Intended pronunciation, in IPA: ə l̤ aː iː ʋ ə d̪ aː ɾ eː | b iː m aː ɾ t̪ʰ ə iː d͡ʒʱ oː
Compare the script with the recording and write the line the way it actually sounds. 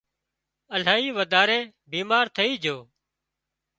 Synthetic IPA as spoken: ə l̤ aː iː ʋ ə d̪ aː ɾ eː | b iː m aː ɾ t̪ʰ ə iː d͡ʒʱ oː